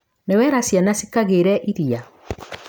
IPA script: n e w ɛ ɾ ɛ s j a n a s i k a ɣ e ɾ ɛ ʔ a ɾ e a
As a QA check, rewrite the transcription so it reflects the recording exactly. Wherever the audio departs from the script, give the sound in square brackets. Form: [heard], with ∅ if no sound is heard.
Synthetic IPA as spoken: n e w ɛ ɾ [a] s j a n a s i k a ɣ e ɾ ɛ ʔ [i] ɾ [i] a